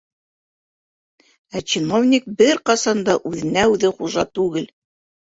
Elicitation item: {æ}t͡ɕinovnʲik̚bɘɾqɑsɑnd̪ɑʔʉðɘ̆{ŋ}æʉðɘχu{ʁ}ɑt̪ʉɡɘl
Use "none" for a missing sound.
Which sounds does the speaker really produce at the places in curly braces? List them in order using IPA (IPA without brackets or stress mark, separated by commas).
æ, n, ʒ